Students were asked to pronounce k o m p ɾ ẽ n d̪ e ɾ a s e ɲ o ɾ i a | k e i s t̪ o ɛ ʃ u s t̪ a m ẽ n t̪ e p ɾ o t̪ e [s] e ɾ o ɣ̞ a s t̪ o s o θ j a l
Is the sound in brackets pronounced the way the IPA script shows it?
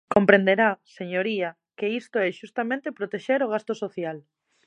no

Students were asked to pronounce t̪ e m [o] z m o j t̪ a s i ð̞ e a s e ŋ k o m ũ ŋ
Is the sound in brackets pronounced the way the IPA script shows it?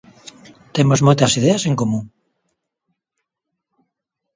yes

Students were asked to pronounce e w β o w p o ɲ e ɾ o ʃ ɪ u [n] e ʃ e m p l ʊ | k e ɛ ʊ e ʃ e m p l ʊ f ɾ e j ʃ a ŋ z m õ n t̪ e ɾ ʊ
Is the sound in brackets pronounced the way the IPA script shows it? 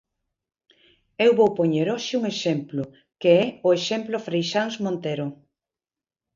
no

